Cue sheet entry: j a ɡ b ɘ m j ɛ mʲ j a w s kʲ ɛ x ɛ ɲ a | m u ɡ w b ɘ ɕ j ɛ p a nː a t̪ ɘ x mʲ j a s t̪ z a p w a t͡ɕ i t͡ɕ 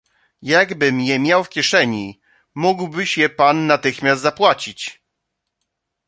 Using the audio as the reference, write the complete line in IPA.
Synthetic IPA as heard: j a ɡ b ɘ m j ɛ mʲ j a w f kʲ ɛ ʂ ɛ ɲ i | m u ɡ w b ɘ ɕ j ɛ p a nː a t̪ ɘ x mʲ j a s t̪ z a p w a t͡ɕ i t͡ɕ